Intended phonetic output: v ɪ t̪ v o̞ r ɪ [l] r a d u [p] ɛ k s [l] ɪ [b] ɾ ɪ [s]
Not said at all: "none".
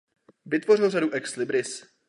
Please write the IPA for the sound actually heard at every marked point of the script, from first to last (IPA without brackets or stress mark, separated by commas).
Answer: l, ʔ, l, b, s